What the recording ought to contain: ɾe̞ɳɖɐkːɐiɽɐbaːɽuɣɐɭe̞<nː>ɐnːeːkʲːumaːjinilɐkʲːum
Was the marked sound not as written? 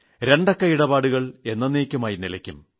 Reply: no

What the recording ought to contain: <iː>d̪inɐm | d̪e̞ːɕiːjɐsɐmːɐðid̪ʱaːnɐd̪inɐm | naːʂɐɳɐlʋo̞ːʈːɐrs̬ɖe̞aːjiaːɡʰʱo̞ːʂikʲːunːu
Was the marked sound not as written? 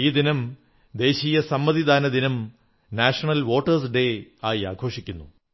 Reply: no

